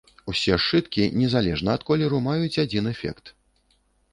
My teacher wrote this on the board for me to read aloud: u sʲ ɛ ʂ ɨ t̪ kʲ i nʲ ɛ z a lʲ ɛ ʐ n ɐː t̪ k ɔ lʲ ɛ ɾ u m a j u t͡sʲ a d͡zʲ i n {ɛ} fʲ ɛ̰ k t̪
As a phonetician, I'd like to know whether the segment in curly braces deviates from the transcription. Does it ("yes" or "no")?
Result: no